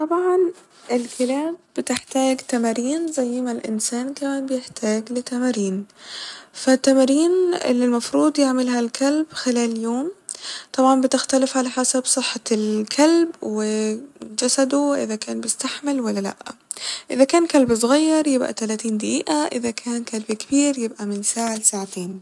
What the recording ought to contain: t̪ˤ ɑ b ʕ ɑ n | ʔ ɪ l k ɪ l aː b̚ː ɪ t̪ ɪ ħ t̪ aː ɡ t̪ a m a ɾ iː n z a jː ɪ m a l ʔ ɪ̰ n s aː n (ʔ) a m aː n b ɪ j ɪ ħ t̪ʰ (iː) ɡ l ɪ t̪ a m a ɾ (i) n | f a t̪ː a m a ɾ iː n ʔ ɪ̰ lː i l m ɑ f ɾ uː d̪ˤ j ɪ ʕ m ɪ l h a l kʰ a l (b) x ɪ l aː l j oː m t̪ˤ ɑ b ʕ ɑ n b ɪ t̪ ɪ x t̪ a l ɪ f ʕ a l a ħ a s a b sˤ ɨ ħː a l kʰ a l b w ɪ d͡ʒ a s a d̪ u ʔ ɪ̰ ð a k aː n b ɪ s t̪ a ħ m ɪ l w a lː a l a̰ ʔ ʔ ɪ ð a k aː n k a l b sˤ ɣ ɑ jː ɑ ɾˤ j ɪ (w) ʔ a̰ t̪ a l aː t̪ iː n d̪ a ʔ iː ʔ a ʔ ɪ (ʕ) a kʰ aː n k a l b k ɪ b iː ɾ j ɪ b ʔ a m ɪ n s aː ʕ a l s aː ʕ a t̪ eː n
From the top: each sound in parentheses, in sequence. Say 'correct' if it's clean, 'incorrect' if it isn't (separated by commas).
incorrect, incorrect, incorrect, correct, incorrect, incorrect